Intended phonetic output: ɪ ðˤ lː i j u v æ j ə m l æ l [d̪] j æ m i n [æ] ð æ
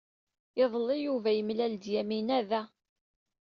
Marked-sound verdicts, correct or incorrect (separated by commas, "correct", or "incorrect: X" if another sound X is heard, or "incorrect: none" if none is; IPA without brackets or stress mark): correct, correct